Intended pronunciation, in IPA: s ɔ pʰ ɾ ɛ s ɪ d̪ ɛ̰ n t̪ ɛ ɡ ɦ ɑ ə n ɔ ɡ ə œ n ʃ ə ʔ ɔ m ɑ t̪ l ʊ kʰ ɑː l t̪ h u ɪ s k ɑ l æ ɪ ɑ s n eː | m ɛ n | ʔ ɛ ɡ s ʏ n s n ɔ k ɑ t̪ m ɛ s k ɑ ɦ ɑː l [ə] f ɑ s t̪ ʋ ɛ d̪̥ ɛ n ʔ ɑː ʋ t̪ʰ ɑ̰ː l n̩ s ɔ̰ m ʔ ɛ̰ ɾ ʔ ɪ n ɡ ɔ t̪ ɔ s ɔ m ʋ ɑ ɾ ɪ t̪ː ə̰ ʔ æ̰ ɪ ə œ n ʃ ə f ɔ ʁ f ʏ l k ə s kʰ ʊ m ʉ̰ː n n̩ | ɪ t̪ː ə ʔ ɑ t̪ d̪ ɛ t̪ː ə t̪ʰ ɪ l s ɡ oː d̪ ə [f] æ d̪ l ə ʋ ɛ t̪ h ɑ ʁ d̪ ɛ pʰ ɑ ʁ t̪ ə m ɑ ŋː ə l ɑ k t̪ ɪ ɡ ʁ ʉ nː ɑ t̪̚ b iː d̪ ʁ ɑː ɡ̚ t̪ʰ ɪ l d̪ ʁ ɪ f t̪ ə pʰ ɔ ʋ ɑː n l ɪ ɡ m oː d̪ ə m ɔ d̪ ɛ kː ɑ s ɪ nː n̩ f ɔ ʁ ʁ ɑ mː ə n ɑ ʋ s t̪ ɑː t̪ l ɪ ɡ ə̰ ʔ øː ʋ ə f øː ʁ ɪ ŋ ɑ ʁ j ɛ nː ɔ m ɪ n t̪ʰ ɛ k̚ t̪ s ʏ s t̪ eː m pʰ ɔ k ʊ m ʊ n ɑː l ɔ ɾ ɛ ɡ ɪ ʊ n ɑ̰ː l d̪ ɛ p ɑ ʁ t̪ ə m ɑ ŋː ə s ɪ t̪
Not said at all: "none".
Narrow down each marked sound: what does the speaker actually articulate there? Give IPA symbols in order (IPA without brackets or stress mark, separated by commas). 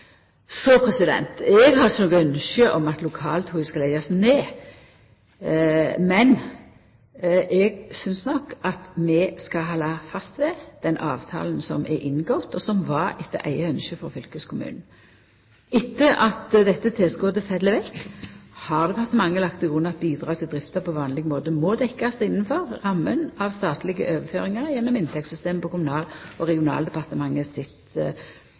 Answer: ɑ, f